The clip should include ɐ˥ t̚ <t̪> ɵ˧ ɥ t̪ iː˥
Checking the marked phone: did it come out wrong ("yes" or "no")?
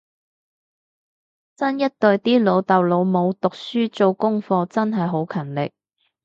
no